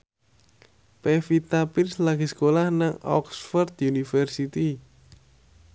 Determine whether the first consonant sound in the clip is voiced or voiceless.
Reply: voiceless